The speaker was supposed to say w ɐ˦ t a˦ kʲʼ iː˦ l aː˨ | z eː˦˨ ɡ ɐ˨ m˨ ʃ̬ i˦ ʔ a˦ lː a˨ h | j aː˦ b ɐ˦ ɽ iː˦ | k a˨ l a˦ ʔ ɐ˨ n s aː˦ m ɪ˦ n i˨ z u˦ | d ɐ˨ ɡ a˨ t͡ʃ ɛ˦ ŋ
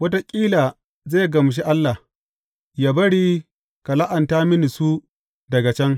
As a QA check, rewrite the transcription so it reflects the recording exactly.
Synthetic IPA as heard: w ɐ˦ t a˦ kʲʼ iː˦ l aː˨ | z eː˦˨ ɡ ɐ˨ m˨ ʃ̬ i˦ ʔ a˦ lː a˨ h | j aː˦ b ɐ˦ ɽ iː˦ | k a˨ l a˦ ʔ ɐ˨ n t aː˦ m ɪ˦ n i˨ s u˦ | d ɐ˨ ɡ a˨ t͡ʃ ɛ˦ ŋ